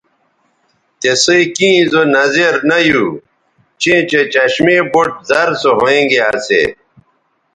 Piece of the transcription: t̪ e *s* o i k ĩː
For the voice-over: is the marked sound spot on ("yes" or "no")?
yes